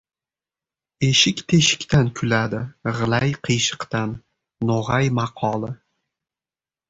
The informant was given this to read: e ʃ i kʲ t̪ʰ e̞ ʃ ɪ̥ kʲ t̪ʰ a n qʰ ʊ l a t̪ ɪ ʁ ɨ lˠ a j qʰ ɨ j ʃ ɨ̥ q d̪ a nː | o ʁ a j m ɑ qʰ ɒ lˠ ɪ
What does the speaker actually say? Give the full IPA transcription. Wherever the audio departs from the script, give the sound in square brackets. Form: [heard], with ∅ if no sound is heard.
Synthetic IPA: e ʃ [ɪ] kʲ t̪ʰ e̞ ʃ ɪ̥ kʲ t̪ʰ a n [kʰ] ʊ l a [d̪] ɪ ʁ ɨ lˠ a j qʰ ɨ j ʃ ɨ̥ q [t̪] a nː | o ʁ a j m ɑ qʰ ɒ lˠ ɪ